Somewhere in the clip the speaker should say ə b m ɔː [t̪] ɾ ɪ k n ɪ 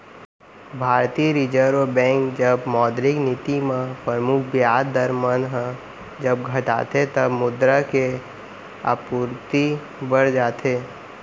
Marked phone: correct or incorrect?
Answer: incorrect: d̪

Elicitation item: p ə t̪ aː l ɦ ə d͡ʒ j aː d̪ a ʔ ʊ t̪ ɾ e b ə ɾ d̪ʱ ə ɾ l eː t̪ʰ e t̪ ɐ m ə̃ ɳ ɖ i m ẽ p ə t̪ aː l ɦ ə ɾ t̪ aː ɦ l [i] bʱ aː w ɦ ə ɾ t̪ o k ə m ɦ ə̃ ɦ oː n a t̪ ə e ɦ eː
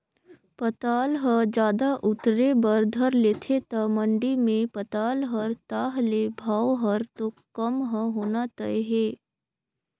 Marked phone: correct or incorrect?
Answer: incorrect: e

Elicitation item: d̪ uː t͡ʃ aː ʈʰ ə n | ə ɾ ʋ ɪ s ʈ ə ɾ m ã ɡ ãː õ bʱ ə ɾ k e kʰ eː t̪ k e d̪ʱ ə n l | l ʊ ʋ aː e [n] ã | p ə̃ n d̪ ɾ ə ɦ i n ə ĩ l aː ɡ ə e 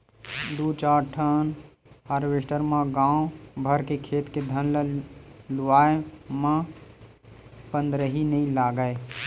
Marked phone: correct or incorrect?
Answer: incorrect: m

